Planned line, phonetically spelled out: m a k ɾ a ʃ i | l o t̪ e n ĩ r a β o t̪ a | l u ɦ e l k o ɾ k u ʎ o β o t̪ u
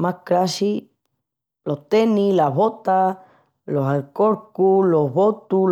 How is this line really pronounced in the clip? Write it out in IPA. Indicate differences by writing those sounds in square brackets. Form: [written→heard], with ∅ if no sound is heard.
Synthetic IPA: m a k ɾ a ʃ i | l o t̪ e n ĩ [r→l] a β o t̪ a | l [u→o] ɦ [e→a] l k o ɾ k u [ʎ→l] o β o t̪ u